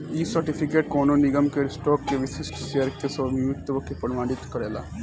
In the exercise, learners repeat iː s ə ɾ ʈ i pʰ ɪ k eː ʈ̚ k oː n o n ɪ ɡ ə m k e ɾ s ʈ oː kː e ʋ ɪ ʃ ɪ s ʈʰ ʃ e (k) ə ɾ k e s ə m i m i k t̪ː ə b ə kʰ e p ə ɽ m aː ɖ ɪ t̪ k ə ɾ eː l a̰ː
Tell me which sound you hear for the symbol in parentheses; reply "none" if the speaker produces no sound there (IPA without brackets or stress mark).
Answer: none